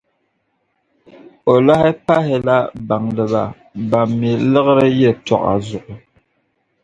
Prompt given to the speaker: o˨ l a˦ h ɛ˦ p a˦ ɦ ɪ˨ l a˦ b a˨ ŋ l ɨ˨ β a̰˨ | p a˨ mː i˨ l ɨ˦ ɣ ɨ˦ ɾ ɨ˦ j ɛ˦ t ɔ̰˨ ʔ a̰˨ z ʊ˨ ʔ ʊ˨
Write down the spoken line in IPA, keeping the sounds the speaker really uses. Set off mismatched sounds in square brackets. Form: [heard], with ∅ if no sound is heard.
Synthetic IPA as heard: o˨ l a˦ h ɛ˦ p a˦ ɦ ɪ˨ l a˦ b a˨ ŋ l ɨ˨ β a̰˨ | [b] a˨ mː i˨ l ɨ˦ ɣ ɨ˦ ɾ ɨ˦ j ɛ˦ t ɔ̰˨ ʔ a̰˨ z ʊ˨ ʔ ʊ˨